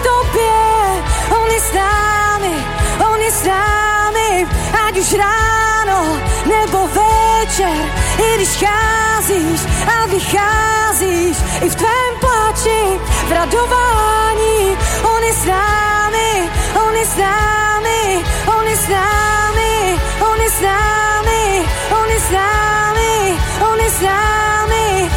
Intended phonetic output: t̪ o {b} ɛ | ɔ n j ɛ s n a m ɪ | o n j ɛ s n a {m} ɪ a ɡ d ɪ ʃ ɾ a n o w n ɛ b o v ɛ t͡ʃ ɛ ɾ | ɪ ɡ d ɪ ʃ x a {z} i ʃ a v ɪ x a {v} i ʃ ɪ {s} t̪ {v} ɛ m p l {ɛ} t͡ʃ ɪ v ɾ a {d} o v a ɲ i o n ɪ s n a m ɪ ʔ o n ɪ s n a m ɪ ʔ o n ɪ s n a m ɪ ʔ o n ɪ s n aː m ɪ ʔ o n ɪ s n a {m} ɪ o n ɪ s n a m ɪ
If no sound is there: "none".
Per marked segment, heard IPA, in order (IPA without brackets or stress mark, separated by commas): b, m, z, z, f, v, a, d, m